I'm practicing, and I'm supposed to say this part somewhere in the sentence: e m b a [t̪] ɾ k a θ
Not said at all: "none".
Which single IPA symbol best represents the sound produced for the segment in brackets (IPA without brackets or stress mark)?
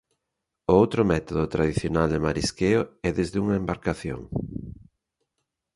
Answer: none